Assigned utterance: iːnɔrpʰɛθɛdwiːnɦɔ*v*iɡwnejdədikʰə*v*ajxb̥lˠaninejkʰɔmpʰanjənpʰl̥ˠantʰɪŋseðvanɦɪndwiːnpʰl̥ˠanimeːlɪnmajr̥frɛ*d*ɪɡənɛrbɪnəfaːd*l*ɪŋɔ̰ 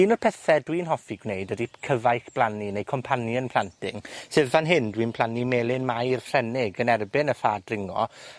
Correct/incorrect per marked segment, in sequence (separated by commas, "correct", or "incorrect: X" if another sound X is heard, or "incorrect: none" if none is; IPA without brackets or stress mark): incorrect: f, correct, incorrect: n, incorrect: r